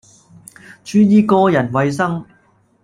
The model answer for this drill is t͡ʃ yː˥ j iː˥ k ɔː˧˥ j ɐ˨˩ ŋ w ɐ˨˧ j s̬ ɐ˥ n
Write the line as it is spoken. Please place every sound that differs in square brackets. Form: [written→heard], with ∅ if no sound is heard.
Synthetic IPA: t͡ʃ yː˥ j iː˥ k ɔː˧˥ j ɐ˨˩ [ŋ→n] w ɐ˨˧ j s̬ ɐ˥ [n→ŋ]

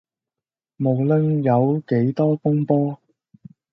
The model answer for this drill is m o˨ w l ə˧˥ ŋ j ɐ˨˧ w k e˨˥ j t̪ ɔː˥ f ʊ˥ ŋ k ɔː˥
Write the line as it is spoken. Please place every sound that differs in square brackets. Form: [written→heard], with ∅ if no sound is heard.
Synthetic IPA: m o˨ w l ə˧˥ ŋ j ɐ˨˧ w k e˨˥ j t̪ ɔː˥ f ʊ˥ ŋ [k→p] ɔː˥

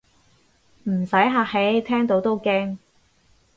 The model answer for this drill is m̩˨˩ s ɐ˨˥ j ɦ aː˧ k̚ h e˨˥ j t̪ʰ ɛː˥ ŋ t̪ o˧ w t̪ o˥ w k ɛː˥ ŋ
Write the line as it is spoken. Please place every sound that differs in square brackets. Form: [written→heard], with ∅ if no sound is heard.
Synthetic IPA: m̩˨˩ s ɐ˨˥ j ɦ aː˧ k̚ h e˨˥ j t̪ʰ ɛː˥ ŋ t̪ [o˧→o˨˥] w t̪ o˥ w k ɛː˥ ŋ

